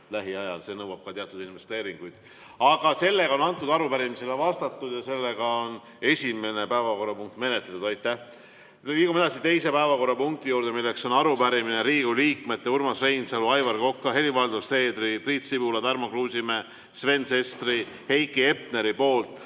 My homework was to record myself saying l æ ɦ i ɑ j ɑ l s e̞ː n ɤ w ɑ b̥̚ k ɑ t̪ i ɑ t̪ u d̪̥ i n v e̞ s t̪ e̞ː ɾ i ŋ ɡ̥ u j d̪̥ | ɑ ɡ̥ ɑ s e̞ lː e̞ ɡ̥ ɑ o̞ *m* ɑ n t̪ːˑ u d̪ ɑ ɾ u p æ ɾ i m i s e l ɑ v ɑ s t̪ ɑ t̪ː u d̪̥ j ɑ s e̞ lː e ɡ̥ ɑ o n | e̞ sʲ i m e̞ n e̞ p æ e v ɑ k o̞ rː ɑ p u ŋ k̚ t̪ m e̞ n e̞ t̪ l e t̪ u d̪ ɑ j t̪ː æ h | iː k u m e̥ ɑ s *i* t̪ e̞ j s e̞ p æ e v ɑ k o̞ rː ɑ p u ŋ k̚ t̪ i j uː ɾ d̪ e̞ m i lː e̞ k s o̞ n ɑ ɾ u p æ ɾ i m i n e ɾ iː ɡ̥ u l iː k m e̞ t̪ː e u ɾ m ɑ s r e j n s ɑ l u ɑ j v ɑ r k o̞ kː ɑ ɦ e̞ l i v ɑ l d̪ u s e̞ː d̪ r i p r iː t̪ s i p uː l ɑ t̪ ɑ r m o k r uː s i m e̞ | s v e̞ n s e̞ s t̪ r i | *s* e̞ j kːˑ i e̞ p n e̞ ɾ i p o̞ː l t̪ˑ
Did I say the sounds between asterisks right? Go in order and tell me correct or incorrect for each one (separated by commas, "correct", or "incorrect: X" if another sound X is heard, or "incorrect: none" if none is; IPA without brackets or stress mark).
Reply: incorrect: n, correct, incorrect: h